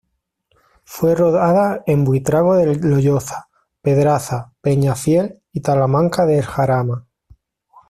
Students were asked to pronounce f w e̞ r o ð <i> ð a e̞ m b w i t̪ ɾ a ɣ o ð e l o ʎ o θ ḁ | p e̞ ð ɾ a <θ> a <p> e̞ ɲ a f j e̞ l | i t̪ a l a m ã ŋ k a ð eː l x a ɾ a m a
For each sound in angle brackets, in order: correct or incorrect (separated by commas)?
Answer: incorrect, correct, correct